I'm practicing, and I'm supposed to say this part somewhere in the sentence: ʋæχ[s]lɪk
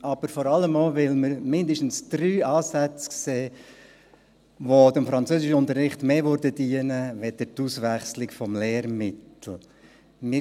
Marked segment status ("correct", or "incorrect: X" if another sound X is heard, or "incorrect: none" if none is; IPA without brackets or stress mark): correct